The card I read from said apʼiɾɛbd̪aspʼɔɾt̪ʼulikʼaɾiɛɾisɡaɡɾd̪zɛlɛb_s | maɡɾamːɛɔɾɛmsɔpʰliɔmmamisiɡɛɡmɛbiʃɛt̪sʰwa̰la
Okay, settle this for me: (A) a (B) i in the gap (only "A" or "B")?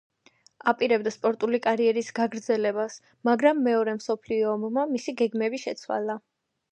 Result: A